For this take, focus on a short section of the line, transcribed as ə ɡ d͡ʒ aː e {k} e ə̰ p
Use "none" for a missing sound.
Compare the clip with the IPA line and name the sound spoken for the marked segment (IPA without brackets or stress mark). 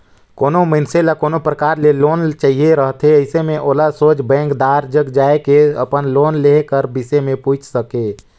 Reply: k